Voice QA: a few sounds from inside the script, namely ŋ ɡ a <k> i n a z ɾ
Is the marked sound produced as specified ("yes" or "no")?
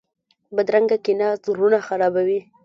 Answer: yes